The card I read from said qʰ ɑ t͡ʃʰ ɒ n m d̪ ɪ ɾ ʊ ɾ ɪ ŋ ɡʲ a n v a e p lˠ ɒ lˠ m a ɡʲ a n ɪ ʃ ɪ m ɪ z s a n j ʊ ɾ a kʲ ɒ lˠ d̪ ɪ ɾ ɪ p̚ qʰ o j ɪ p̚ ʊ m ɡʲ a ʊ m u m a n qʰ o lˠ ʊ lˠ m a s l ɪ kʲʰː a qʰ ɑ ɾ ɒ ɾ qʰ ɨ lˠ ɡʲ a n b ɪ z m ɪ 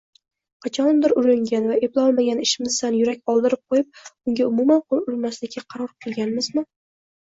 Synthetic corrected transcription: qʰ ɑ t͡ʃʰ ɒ n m d̪ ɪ ɾ ʊ ɾ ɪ ŋ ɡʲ a n v a e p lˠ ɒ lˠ m a ɡʲ a n ɪ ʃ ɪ m ɪ z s a n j ʊ ɾ a kʲ ɒ lˠ d̪ ɪ ɾ ɪ p̚ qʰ o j ɪ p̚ ʊ ŋ ɡʲ a ʊ m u m a n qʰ o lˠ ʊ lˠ m a s l ɪ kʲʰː a qʰ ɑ ɾ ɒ ɾ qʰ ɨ lˠ ɡʲ a n m ɪ z m ɪ

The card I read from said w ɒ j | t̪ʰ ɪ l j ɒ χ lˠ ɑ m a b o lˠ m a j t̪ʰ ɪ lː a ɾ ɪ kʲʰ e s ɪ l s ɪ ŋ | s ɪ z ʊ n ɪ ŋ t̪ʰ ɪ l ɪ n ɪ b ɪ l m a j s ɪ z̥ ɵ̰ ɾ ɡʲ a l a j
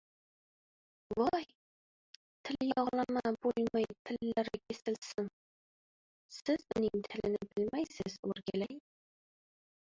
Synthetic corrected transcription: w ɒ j | t̪ʰ ɪ l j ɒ ʁ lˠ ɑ m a b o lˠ m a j t̪ʰ ɪ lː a ɾ ɪ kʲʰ e s ɪ l s ɪ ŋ | s ɪ z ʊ n ɪ ŋ t̪ʰ ɪ l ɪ n ɪ b ɪ l m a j s ɪ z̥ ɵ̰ ɾ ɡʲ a l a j

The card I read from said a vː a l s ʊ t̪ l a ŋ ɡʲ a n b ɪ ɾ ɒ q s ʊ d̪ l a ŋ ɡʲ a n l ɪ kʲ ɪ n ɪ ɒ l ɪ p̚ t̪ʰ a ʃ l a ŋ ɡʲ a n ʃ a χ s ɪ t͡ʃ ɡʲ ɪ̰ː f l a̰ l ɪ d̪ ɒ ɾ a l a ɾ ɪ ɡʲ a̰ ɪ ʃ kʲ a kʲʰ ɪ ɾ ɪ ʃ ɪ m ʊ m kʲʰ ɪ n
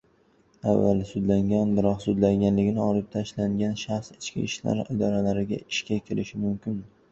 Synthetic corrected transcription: a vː a l s ʊ d̪ l a ŋ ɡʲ a n b ɪ ɾ ɒ q s ʊ d̪ l a ŋ ɡʲ a n l ɪ ɡʲ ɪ n ɪ ɒ l ɪ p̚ t̪ʰ a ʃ l a ŋ ɡʲ a n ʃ a χ s ɪ t͡ʃ kʲ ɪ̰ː ʃ l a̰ ɾ ɪ d̪ ɒ ɾ a l a ɾ ɪ ɡʲ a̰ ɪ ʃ kʲ a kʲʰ ɪ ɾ ɪ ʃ ɪ m ʊ m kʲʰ ɪ n

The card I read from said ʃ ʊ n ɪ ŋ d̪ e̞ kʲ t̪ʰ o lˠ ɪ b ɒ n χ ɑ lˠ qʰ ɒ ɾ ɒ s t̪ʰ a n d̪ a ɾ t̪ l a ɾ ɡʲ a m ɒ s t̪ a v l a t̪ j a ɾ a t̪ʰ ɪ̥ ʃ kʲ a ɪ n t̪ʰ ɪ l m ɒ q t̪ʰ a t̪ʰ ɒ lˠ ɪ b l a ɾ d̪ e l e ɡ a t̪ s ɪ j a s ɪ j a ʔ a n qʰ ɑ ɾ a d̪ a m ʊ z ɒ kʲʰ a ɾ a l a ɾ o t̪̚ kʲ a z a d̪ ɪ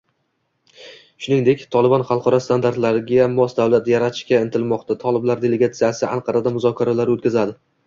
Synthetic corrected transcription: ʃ ʊ n ɪ ŋ d̪ e̞ kʲ t̪ʰ ɒ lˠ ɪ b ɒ n χ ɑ lˠ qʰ ɒ ɾ ɒ s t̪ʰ a n d̪ a ɾ t̪ l a ɾ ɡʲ a m ɒ s d̪ a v l a t̪ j a ɾ a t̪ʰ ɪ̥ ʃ kʲ a ɪ n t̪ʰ ɪ l m ɒ q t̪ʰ a t̪ʰ ɒ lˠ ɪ b l a ɾ d̪ e l e ɡ a t̪ s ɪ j a s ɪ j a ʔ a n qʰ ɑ ɾ a d̪ a m ʊ z ɒ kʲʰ a ɾ a l a ɾ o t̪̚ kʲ a z a d̪ ɪ

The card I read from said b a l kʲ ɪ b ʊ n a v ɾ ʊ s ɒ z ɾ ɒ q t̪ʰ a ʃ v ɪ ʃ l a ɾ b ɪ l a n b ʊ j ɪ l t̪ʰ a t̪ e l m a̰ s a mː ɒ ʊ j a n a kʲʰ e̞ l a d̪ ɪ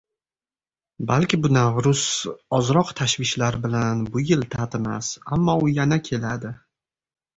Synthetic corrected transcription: b a l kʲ ɪ b ʊ n a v ɾ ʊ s ɒ z ɾ ɒ q t̪ʰ a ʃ v ɪ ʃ l a ɾ b ɪ l a n b ʊ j ɪ l t̪ʰ a t̪ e m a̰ s a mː ɒ ʊ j a n a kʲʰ e̞ l a d̪ ɪ

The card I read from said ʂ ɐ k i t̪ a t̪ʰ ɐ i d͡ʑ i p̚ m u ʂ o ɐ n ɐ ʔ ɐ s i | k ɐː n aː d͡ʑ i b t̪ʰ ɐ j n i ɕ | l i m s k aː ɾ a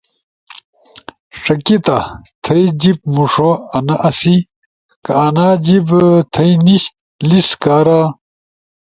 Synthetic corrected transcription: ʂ ɐ k i t̪ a t̪ʰ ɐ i d͡ʑ i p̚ m u ʂ o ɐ n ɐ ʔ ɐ s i | k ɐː n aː d͡ʑ i b t̪ʰ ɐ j n i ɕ | l i s k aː ɾ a

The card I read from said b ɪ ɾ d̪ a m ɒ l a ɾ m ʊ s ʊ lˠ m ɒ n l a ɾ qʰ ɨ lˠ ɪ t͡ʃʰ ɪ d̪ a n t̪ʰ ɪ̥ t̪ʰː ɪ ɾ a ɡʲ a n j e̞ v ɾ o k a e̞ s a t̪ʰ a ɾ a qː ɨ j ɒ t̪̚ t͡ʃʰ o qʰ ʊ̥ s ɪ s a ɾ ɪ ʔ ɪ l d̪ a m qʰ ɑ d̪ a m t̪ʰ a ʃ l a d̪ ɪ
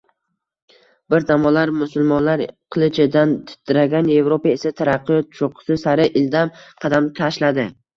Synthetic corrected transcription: b ɪ ɾ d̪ a m ɒ l a ɾ m ʊ s ʊ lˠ m ɒ n l a ɾ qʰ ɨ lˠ ɪ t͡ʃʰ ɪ d̪ a n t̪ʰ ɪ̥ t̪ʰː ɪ ɾ a ɡʲ a n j e̞ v ɾ o p a e̞ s a t̪ʰ a ɾ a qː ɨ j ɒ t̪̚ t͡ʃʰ o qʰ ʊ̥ s ɪ s a ɾ ɪ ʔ ɪ l d̪ a m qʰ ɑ d̪ a m t̪ʰ a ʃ l a d̪ ɪ

